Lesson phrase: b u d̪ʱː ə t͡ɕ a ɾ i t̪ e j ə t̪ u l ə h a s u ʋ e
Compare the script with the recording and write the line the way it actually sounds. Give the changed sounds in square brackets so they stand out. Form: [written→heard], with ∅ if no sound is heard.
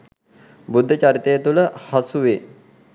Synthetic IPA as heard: b u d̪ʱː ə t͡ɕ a ɾ i t̪ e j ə t̪ u l ə h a s u ʋ e